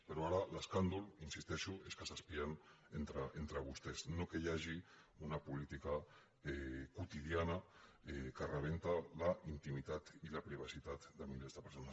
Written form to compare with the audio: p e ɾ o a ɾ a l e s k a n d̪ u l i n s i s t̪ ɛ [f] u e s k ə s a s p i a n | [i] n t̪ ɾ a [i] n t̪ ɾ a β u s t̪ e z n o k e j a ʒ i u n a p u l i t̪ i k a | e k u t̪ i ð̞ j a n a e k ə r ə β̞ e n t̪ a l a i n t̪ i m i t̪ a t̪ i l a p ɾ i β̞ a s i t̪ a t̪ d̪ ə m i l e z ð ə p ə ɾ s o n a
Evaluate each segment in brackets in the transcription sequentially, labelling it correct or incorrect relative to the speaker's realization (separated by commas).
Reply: incorrect, incorrect, incorrect